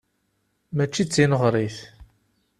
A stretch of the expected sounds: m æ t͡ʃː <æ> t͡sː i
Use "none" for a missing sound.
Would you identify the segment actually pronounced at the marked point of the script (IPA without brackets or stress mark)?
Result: i